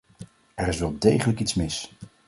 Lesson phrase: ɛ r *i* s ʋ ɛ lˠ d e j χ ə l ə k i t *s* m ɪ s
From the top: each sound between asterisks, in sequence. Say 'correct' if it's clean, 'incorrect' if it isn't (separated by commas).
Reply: incorrect, correct